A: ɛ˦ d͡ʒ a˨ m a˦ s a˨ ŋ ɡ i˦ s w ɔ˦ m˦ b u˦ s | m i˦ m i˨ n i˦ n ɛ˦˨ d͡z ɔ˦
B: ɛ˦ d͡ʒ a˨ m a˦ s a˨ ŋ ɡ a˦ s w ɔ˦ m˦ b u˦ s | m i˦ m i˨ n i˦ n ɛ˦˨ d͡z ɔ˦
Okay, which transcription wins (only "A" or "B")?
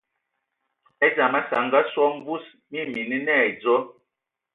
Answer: B